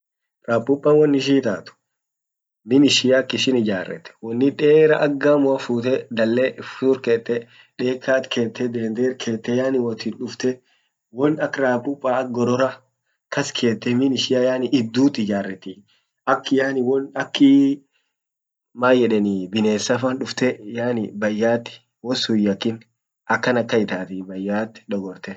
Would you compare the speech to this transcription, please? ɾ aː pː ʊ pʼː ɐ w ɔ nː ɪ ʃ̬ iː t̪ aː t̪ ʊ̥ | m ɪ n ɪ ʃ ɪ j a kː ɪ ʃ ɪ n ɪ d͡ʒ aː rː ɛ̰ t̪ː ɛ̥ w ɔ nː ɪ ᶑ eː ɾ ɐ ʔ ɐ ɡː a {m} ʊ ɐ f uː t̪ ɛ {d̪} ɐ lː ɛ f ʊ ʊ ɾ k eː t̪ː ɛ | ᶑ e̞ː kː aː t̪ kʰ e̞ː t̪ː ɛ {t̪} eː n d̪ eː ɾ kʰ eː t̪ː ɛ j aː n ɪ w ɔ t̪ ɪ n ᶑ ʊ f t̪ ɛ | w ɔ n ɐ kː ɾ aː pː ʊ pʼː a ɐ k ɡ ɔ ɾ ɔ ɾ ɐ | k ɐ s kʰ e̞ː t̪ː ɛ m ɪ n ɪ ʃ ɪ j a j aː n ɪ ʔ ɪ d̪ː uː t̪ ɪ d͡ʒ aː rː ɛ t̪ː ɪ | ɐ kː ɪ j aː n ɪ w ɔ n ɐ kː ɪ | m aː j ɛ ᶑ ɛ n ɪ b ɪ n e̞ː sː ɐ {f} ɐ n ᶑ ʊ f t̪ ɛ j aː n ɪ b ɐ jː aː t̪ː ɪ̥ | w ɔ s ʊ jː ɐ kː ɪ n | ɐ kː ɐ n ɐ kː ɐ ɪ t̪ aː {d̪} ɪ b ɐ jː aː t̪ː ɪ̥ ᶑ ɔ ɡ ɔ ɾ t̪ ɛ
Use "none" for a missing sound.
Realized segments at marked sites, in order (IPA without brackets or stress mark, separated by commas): m, d̪, d̪, f, t̪